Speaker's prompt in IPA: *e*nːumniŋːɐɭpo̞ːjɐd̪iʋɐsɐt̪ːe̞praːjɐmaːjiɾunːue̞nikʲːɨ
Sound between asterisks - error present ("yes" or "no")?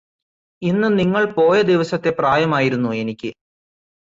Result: yes